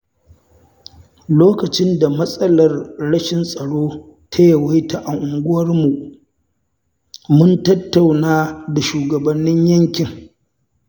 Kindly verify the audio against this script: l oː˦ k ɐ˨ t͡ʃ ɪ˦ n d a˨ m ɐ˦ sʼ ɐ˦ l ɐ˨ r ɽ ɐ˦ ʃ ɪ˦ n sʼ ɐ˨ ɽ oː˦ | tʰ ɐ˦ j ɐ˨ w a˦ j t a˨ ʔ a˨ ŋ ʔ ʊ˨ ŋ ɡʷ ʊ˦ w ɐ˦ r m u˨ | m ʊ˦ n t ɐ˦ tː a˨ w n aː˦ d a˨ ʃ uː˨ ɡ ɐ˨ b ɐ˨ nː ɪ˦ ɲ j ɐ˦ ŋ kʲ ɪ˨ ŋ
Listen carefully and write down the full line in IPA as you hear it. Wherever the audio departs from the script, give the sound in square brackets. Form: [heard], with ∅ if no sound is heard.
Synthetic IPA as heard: l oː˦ k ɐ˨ t͡ʃ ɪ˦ n d a˨ m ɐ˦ sʼ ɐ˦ l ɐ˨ r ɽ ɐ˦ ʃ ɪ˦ n sʼ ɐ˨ ɽ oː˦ | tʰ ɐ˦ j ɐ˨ w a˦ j t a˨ ʔ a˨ ŋ ʔ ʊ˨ ŋ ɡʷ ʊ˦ w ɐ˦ r m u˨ | m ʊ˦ n t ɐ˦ tː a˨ w n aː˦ d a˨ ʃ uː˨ ɡ ɐ˨ b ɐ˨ nː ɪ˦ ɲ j ɐ˦ ŋ kʲ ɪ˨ ŋ